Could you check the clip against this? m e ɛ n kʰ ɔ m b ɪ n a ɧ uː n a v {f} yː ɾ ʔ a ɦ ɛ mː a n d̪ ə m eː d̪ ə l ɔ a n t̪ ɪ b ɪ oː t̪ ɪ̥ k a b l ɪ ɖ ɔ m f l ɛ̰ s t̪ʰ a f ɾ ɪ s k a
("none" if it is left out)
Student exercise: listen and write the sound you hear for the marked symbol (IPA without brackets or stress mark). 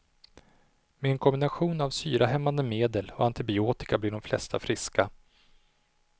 s